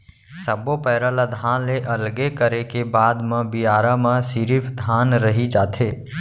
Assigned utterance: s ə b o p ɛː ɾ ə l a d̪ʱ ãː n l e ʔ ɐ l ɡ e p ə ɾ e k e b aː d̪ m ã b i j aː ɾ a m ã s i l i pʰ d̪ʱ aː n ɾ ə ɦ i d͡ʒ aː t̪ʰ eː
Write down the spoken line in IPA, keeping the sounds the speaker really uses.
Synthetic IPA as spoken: s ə b o p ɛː ɾ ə l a d̪ʱ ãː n l e ʔ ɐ l ɡ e k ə ɾ e k e b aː d̪ m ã b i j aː ɾ a m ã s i ɾ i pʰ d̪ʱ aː n ɾ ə ɦ i d͡ʒ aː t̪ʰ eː